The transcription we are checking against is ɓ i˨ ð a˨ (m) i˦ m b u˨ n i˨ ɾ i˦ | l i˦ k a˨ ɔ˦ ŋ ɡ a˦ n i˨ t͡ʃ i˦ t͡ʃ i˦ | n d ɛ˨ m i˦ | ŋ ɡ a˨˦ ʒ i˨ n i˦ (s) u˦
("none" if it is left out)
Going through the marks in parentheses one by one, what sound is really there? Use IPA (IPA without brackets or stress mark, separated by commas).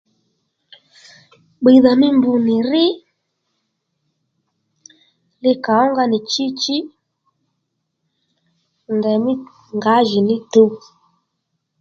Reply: m, t